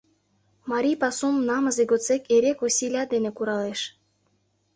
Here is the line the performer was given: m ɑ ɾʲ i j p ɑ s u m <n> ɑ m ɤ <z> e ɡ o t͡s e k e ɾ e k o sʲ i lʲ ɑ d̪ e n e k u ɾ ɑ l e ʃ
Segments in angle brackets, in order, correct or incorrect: correct, correct

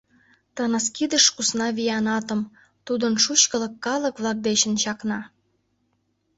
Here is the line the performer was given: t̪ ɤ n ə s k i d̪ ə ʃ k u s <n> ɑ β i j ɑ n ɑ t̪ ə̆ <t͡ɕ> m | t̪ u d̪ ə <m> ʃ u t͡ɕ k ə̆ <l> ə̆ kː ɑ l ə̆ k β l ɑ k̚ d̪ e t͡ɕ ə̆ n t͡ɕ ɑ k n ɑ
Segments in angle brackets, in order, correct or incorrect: correct, incorrect: none, incorrect: n, correct

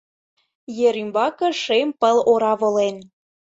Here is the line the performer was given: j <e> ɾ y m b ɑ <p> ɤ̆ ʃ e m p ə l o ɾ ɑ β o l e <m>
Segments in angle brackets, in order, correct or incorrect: correct, incorrect: k, incorrect: n

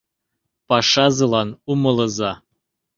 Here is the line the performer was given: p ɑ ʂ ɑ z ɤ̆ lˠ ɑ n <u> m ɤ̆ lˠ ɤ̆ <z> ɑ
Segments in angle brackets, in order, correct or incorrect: correct, correct

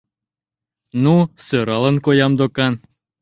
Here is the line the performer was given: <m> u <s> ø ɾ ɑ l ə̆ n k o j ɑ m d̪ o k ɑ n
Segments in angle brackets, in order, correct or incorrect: incorrect: n, correct

